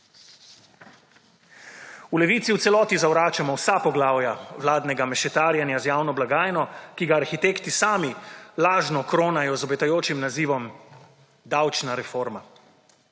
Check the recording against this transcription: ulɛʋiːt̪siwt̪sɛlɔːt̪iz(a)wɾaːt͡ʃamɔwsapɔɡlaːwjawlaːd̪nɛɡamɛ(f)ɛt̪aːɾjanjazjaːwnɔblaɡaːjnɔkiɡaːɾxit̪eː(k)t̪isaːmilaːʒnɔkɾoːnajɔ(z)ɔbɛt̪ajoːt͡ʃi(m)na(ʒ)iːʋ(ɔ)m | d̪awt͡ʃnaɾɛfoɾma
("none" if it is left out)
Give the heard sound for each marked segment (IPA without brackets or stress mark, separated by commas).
a, ʃ, k, z, m, z, ɔ